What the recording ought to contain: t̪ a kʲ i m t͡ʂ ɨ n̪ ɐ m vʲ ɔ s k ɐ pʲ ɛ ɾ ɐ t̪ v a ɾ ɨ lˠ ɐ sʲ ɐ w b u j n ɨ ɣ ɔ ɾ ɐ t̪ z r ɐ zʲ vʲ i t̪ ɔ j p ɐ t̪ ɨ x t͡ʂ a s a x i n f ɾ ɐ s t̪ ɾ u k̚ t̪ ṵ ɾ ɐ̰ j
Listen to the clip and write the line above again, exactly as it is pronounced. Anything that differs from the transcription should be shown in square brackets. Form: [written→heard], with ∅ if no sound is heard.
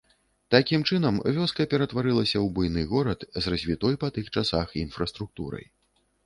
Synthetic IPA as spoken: t̪ a kʲ i m t͡ʂ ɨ n̪ ɐ m vʲ ɔ s k ɐ pʲ ɛ ɾ ɐ t̪ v a ɾ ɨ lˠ ɐ sʲ ɐ w b u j n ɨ ɣ ɔ ɾ ɐ t̪ z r ɐ zʲ vʲ i t̪ ɔ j p ɐ t̪ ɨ x t͡ʂ a s a x i n f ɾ ɐ s t̪ ɾ u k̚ t̪ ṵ ɾ ɐ̰ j